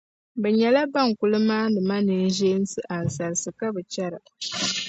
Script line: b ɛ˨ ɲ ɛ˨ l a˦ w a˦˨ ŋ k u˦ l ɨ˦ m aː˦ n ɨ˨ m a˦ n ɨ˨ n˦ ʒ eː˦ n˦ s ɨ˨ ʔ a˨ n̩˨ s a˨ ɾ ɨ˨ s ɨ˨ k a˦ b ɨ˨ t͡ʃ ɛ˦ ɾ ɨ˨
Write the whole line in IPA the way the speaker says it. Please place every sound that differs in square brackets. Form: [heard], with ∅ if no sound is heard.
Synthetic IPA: b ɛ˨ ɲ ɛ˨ l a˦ [b] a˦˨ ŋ k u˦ l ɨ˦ m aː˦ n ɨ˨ m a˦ n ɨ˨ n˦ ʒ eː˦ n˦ s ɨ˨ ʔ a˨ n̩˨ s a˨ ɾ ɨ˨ s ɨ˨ k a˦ b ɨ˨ t͡ʃ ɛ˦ ɾ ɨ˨